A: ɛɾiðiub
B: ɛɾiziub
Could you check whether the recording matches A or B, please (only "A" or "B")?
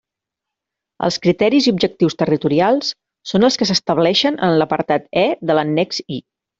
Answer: B